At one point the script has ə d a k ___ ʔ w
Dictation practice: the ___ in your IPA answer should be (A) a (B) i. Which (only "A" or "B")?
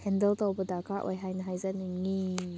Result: A